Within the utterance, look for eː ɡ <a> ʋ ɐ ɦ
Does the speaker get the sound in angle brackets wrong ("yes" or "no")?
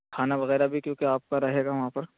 no